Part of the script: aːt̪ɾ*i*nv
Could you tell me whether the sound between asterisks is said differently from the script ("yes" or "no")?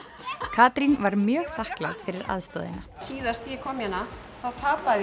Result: no